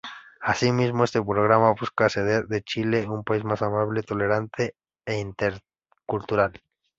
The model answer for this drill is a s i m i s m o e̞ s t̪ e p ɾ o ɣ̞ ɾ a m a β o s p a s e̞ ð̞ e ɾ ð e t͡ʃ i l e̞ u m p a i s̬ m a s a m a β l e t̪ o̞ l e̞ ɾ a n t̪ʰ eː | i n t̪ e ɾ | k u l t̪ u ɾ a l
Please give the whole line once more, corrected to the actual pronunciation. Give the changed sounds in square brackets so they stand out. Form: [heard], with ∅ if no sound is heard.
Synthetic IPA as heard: a s i m i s m o e̞ s t̪ e p ɾ o ɣ̞ ɾ a m a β [u] s [k] a s e̞ ð̞ e ɾ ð e t͡ʃ i l e̞ u m p a i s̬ m a s a m a β l e t̪ o̞ l e̞ ɾ a n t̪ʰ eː | i n t̪ e ɾ | k u l t̪ u ɾ a l